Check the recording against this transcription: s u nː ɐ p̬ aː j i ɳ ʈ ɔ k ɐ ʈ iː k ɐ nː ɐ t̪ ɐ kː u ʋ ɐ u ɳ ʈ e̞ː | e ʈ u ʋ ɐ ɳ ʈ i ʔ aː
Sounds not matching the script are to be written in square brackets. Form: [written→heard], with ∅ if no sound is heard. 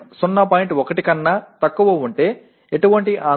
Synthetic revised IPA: s u nː ɐ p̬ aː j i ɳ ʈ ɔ k ɐ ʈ [iː→i] k ɐ nː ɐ t̪ ɐ kː u ʋ ɐ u ɳ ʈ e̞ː | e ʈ u ʋ ɐ ɳ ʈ i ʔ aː